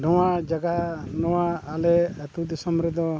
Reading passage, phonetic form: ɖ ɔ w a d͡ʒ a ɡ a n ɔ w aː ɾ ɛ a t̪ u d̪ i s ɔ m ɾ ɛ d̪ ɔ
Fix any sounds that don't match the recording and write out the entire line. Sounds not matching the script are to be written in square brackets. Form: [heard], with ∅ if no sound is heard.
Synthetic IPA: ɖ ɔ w a d͡ʒ a ɡ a n ɔ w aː [l] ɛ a t̪ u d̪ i s ɔ m ɾ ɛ d̪ ɔ